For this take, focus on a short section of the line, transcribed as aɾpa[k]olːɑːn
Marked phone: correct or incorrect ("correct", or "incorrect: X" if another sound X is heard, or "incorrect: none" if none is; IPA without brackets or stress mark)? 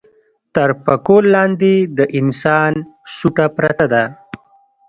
correct